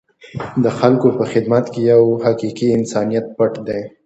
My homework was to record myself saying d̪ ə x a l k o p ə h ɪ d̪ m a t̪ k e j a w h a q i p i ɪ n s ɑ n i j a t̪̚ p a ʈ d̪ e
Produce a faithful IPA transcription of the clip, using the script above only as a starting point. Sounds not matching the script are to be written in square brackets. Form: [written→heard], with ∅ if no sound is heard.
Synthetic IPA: d̪ ə x a l k o p ə [h→x] ɪ d̪ m a t̪ k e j a w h a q i [p→q] i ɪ n s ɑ n i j a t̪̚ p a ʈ d̪ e